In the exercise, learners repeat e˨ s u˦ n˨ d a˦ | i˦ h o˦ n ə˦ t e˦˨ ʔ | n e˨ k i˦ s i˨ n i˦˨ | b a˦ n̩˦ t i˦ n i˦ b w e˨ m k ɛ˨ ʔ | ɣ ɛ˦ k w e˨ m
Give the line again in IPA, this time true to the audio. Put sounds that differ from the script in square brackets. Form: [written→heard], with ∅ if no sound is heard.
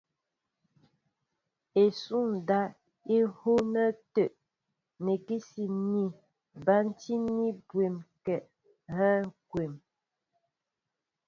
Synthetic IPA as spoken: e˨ s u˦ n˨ d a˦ | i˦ h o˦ n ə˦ t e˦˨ ʔ | n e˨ k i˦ s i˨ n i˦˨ | b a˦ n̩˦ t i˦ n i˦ b w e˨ m k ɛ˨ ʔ | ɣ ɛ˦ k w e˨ m